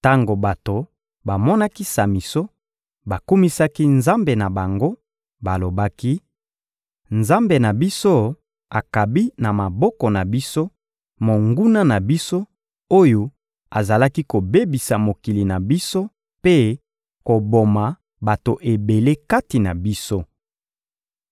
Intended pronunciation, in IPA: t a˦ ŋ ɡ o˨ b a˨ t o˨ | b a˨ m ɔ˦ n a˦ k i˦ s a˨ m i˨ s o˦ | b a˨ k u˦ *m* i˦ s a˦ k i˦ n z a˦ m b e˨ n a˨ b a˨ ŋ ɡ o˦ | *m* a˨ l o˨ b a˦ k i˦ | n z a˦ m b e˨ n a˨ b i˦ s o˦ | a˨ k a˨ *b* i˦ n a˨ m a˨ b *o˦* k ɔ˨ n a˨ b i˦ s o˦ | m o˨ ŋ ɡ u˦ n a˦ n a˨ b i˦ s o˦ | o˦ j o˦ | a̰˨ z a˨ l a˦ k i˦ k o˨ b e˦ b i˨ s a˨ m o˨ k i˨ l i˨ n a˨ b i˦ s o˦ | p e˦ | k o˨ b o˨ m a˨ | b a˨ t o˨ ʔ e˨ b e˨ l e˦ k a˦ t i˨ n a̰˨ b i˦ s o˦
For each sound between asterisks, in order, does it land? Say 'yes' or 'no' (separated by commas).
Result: yes, no, yes, no